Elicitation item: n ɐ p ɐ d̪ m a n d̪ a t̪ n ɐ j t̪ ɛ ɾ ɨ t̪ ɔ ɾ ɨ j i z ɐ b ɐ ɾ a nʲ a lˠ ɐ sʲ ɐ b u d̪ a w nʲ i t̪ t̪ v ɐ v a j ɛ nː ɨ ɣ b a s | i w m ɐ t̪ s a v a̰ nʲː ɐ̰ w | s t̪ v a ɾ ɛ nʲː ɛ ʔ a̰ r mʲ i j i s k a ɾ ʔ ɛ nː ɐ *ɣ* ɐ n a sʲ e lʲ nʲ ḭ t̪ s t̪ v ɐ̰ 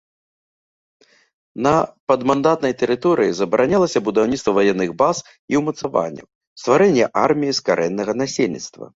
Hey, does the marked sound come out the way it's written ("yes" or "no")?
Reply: yes